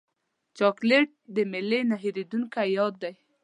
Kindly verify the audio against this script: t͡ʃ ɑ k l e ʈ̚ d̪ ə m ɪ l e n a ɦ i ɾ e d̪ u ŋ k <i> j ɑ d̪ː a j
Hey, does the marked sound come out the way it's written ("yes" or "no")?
no